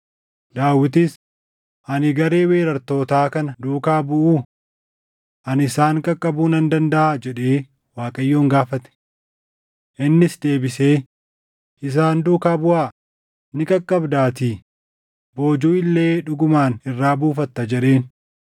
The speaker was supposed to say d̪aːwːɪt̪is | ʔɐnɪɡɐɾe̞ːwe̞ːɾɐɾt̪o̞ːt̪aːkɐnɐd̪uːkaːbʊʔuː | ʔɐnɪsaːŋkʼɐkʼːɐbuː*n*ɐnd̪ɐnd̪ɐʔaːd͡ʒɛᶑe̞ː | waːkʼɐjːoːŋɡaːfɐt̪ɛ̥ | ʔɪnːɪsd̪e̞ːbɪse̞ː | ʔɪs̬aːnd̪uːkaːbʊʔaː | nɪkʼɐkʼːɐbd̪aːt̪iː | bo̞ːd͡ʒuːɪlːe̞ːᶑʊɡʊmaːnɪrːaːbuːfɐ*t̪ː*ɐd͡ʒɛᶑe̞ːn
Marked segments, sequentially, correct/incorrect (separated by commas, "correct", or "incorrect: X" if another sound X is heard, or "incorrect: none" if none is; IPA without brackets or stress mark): correct, correct